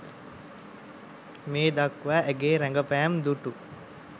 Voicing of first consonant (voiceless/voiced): voiced